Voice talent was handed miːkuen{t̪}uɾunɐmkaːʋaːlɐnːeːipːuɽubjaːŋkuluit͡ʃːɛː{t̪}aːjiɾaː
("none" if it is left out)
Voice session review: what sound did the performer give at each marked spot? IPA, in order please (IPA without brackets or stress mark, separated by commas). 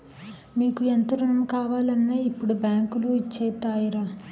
t̪, t̪